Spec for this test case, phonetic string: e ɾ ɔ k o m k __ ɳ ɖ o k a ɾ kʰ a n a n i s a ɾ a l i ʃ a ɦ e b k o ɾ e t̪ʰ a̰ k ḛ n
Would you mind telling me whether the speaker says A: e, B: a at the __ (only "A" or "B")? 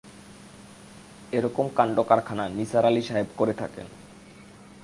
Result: B